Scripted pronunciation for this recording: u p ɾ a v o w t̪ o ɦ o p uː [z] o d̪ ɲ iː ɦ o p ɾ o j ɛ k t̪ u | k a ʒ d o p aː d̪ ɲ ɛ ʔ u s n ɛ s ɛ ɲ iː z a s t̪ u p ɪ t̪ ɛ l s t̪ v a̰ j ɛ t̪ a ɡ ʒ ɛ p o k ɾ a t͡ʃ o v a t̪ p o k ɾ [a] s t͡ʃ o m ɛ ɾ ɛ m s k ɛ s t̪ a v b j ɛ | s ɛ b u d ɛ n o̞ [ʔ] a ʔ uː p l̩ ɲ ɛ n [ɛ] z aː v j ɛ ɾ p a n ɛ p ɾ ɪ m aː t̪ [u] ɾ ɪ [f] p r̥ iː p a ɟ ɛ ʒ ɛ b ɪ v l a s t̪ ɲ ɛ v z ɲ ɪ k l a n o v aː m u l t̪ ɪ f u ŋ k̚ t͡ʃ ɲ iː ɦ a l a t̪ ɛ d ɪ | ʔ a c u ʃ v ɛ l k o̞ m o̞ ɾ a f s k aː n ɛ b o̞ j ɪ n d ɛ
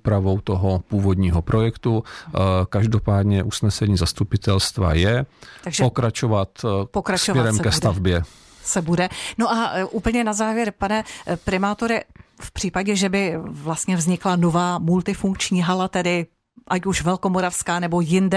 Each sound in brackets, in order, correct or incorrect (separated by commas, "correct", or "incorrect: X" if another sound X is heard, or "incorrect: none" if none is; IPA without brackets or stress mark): incorrect: v, correct, correct, incorrect: a, incorrect: o, correct